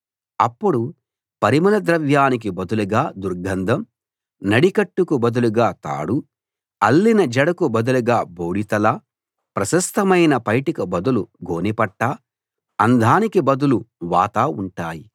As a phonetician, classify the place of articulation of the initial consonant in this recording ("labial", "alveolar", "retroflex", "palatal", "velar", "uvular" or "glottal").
labial